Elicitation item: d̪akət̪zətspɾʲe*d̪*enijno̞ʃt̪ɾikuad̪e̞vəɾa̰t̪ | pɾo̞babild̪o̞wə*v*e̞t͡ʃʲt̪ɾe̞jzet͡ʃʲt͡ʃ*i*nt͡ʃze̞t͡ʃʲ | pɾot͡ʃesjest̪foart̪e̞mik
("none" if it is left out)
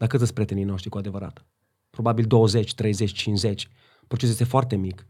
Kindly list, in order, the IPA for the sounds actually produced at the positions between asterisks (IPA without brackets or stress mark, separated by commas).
t̪, z, i